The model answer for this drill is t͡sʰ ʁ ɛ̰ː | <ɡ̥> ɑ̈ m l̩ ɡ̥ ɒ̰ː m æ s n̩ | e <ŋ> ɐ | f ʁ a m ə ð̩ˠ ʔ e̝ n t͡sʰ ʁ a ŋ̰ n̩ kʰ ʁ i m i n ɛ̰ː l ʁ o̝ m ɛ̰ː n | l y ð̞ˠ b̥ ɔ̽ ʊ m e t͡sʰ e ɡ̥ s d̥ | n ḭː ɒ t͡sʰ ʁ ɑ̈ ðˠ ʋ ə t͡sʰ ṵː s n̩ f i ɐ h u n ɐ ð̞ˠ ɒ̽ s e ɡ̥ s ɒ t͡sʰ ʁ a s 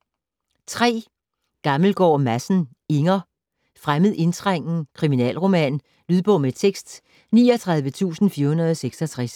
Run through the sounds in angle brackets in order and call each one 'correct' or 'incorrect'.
correct, correct

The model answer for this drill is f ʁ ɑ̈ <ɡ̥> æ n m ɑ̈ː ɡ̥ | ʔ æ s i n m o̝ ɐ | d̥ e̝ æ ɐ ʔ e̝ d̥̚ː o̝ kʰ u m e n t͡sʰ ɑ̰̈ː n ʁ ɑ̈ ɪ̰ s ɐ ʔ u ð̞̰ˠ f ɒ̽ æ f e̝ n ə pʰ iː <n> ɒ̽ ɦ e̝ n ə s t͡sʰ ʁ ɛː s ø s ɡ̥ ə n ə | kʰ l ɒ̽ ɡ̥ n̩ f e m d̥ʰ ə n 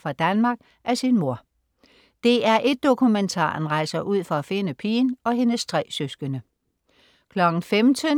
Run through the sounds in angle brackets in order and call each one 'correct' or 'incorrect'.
incorrect, correct

